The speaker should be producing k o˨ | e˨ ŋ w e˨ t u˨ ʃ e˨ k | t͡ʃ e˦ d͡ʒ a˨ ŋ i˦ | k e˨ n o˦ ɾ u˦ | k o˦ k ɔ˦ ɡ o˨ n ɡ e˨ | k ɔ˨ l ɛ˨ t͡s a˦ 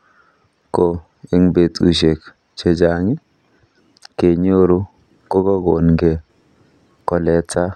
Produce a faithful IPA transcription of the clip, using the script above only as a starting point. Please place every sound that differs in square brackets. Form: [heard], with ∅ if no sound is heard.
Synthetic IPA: k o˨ | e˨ ŋ [b] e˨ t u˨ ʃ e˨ k | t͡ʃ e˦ d͡ʒ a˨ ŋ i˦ | k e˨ [ɲ] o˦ ɾ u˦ | k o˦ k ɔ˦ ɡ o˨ n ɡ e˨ | k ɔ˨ l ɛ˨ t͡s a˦